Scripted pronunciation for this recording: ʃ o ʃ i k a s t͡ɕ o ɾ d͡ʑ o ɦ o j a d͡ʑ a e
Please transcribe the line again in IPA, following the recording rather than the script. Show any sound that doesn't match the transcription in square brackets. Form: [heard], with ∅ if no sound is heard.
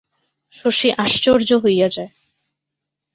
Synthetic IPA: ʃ o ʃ i [ʔ] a [ʃ] t͡ɕ o ɾ d͡ʑ o ɦ o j a d͡ʑ a e